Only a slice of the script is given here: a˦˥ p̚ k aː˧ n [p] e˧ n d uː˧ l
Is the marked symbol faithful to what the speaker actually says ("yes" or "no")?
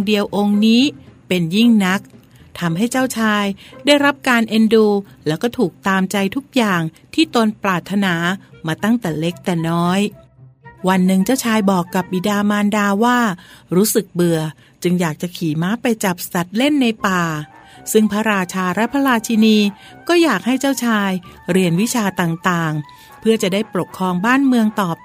no